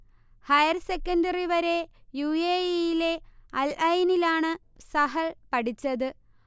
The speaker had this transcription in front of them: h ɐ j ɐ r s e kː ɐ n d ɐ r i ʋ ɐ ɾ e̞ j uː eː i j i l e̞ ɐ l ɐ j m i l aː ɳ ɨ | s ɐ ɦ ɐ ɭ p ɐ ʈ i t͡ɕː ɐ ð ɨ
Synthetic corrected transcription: h ɐ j ɐ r s e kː ɐ n d ɐ r i ʋ ɐ ɾ e̞ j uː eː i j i l e̞ ɐ l ɐ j n i l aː ɳ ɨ | s ɐ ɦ ɐ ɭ p ɐ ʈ i t͡ɕː ɐ ð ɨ

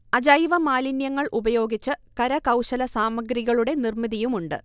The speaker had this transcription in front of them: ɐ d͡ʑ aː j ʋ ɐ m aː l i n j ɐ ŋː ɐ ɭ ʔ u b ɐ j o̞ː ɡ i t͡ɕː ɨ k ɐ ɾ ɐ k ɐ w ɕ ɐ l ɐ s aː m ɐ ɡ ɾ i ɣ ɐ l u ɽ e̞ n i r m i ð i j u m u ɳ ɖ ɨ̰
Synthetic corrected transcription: ɐ d͡ʑ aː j ʋ ɐ m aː l i n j ɐ ŋː ɐ ɭ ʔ u b ɐ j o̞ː ɡ i t͡ɕː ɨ k ɐ ɾ ɐ k ɐ w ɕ ɐ l ɐ s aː m ɐ ɡ ɾ i ɣ ɐ ɭ u ɽ e̞ n i r m i ð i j u m u ɳ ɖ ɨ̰

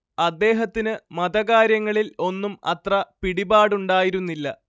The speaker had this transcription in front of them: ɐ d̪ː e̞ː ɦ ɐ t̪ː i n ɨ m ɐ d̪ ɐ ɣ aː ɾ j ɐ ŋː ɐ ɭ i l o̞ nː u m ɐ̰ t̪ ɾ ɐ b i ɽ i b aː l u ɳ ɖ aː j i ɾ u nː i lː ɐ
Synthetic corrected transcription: ɐ d̪ː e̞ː ɦ ɐ t̪ː i n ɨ m ɐ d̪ ɐ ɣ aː ɾ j ɐ ŋː ɐ ɭ i l o̞ nː u m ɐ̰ t̪ r ɐ p i ɽ i b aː ɽ u ɳ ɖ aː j i ɾ u nː i lː ɐ

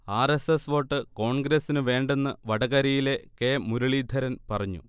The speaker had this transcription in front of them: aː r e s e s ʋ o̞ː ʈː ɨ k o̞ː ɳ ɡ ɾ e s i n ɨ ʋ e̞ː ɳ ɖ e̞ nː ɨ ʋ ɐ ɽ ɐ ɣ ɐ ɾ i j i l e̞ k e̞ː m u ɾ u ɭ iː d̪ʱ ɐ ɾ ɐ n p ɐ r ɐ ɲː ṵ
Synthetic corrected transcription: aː r e s e s ʋ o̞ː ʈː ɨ k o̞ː ɳ ɡ ɾ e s i n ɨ ʋ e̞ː ɳ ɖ e̞ nː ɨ ʋ ɐ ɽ ɐ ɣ ɐ ɾ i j i l e̞ k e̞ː m u ɾ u ɭ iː d̪ʱ ɐ ɾ ɐ n p ɐ r ɐ ɲː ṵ

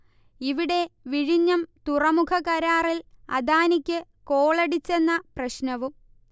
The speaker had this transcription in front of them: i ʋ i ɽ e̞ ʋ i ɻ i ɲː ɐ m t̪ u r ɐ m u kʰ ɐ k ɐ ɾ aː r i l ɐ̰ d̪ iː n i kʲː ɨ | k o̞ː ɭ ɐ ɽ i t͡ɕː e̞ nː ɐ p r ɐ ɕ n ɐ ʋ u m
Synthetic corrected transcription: i ʋ i ɽ e̞ ʋ i ɻ i ɲː ɐ m t̪ u r ɐ m u kʰ ɐ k ɐ ɾ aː r i l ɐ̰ d̪ aː n i kʲː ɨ | k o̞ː ɭ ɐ ɽ i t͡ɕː e̞ nː ɐ p r ɐ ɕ n ɐ ʋ u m

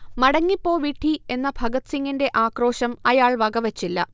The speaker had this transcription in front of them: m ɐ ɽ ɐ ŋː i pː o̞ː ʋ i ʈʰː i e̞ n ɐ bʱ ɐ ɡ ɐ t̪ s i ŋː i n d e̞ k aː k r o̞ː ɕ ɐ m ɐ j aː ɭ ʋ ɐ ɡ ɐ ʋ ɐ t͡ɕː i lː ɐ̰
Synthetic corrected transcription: m ɐ ɽ ɐ ŋː i pː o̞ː ʋ i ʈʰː i e̞ nː ɐ bʱ ɐ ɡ ɐ t̪ s i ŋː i n d e̞ ʔ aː k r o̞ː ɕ ɐ m ɐ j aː ɭ ʋ ɐ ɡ ɐ ʋ ɐ t͡ɕː i lː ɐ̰

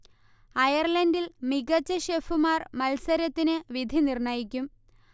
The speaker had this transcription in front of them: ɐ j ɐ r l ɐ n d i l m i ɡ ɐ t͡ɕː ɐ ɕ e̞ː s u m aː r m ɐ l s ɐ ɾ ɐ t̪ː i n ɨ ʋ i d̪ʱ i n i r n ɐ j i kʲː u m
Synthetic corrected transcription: ɐ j ɐ r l ɐ n d i l m i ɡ ɐ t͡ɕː ɐ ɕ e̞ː f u m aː r m ɐ l s ɐ ɾ ɐ t̪ː i n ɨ ʋ i d̪ʱ i n i r ɳ ɐ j i kʲː u m

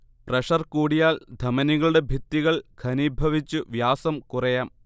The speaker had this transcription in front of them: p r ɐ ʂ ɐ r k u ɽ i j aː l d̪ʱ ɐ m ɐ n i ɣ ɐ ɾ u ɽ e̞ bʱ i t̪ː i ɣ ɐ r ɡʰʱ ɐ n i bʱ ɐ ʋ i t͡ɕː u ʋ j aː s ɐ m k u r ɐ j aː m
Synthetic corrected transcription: p r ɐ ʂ ɐ r k uː ɽ i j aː l d̪ʱ ɐ m ɐ n i ɣ ɐ ɭ u ɽ e̞ bʱ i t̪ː i ɣ ɐ ɭ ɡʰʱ ɐ n i bʱ ɐ ʋ i t͡ɕː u ʋ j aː s ɐ m k u r ɐ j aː m

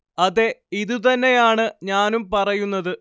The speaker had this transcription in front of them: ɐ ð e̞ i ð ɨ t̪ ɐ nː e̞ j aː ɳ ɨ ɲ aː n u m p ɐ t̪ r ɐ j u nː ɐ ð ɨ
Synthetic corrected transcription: ɐ ð e̞ i ð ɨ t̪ ɐ nː e̞ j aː ɳ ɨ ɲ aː n u m p ɐ r ɐ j u nː ɐ ð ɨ

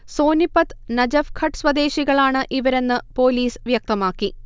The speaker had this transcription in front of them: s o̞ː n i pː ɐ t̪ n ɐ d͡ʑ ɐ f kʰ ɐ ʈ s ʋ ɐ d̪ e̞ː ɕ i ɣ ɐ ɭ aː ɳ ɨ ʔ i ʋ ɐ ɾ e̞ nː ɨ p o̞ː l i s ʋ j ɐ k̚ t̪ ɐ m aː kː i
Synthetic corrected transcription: s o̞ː n i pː ɐ t̪ n ɐ d͡ʑ ɐ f kʰ ɐ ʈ s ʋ ɐ d̪ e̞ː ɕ i ɣ ɐ ɭ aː ɳ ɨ ʔ i ʋ ɐ ɾ e̞ nː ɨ p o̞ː l iː s ʋ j ɐ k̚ t̪ ɐ m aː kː i

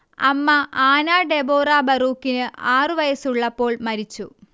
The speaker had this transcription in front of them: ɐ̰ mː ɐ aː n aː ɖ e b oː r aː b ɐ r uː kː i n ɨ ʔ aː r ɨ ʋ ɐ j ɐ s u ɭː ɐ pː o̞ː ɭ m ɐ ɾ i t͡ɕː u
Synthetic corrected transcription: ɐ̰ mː ɐ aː n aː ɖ e b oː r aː b ɐ r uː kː i n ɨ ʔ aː r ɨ ʋ ɐ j ɐ s u ɭː ɐ pː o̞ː ɭ m ɐ ɾ i t͡ɕː u

